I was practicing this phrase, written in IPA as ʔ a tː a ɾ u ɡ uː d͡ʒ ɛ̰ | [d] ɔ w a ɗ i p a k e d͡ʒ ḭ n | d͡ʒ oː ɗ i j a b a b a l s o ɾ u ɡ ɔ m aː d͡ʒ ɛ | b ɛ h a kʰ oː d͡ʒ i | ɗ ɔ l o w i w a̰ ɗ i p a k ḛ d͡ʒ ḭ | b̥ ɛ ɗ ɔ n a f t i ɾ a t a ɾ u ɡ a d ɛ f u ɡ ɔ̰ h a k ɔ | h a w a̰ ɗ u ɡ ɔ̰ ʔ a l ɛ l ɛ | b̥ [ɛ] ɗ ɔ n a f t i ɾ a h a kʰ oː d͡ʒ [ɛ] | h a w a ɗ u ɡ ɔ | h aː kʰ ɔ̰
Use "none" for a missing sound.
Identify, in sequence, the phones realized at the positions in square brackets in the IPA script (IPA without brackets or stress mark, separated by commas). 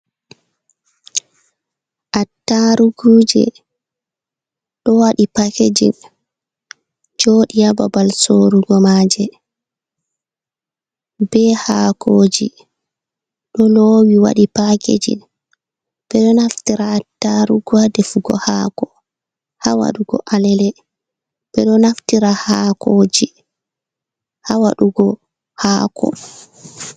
ɗ, ɛ, i